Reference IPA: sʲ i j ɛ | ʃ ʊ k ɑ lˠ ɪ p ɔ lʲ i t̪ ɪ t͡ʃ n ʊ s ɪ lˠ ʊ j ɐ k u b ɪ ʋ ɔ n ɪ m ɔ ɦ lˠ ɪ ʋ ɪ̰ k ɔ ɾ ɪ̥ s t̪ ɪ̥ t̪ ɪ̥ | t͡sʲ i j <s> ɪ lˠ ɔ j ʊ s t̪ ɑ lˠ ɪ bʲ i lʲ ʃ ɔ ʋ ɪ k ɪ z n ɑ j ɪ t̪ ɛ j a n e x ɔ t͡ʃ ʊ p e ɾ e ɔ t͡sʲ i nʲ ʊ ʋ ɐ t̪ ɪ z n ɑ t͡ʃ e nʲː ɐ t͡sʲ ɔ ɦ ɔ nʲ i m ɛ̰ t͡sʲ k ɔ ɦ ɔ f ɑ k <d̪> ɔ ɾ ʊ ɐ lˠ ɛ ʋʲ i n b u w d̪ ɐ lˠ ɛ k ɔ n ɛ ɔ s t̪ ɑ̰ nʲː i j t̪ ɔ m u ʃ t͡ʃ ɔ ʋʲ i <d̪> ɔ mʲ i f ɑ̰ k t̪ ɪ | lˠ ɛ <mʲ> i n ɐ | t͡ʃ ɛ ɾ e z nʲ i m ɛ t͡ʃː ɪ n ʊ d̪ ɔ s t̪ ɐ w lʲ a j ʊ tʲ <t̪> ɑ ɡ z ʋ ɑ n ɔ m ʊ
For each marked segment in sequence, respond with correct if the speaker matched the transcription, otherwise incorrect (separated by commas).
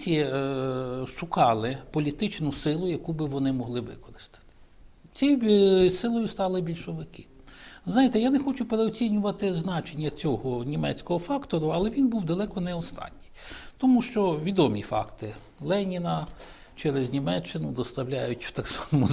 correct, incorrect, correct, incorrect, correct